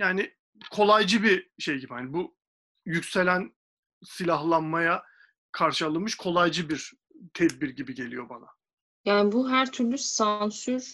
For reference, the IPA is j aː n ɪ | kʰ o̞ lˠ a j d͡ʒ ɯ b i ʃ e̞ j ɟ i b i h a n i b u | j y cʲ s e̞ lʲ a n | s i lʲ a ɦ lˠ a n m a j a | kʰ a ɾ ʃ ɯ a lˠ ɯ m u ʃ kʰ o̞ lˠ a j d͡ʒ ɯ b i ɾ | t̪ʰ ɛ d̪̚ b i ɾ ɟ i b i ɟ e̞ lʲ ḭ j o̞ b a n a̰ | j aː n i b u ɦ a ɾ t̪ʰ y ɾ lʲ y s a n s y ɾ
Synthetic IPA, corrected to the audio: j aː n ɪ | kʰ o̞ lˠ a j d͡ʒ ɯ b i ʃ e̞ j ɟ i b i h a n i b u | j y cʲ s e̞ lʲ æ n | s i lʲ a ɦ lˠ a n m a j a | kʰ a ɾ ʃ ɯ a lˠ ɯ m ɯ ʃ kʰ o̞ lˠ a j d͡ʒ ɯ b i ɾ | t̪ʰ ɛ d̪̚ b i ɾ ɟ i b i ɟ e̞ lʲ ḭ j o̞ b a n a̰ | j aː n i b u ɦ æ ɾ t̪ʰ y ɾ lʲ y s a n s y ɾ